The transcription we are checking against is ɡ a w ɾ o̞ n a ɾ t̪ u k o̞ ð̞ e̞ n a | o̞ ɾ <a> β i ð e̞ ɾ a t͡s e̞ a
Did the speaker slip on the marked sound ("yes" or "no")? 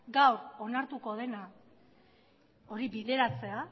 yes